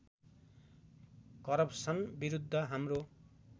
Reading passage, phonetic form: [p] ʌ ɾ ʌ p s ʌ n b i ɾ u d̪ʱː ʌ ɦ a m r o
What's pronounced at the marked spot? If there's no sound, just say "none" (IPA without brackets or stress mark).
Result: k